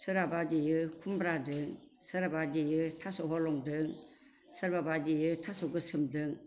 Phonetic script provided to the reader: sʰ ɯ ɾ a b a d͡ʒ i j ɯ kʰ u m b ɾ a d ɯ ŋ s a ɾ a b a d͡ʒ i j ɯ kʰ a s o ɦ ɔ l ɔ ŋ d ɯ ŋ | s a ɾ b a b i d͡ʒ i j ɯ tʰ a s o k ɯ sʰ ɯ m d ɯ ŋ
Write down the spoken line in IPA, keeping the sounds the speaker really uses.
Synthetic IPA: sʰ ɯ ɾ a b a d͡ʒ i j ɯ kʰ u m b ɾ a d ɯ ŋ s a ɾ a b a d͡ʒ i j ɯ tʰ a s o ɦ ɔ l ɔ ŋ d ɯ ŋ | s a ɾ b a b a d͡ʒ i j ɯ tʰ a s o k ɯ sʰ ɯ m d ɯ ŋ